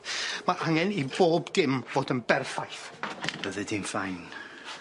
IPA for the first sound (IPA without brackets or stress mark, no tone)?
m